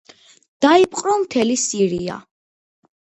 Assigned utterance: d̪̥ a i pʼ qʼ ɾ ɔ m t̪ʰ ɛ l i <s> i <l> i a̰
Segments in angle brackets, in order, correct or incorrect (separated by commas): correct, incorrect